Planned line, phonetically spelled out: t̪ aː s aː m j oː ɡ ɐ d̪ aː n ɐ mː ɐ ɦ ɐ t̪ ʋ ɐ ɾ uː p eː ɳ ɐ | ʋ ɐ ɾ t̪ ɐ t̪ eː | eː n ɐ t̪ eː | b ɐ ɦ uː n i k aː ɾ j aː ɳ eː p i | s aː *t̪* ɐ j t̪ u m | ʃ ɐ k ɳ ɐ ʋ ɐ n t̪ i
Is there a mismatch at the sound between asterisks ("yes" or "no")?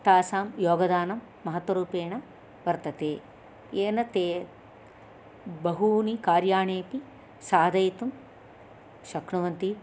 yes